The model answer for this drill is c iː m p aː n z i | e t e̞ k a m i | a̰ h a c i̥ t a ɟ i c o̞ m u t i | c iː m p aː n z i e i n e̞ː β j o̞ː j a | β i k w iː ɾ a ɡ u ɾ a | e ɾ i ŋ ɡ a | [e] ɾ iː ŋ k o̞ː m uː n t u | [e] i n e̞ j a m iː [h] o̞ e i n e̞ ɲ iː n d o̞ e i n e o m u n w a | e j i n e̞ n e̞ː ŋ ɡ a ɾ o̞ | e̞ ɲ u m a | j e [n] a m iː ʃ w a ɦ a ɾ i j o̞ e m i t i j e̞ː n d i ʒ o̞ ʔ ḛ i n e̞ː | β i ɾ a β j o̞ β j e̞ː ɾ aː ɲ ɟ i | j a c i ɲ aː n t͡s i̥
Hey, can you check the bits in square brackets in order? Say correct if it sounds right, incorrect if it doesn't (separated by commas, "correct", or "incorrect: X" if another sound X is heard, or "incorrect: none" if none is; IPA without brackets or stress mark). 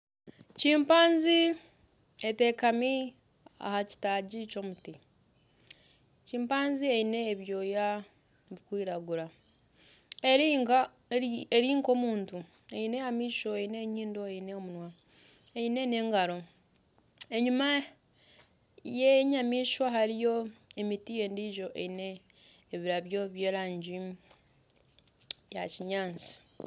correct, correct, incorrect: ʃ, incorrect: ɲ